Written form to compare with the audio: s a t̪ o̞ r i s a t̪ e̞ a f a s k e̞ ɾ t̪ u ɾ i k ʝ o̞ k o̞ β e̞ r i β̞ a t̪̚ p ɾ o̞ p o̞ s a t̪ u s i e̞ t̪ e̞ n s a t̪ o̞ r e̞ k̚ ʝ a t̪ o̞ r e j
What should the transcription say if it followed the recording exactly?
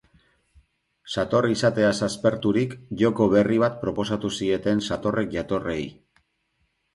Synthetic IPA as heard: s a t̪ o̞ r i s a t̪ e̞ a s a s p e̞ ɾ t̪ u ɾ i k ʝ o̞ k o̞ β e̞ r i β̞ a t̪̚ p ɾ o̞ p o̞ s a t̪ u s i e̞ t̪ e̞ n s a t̪ o̞ r e̞ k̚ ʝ a t̪ o̞ r e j